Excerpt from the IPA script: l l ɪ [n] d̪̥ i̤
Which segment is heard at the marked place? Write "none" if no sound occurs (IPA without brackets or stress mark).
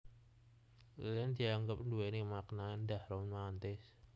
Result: n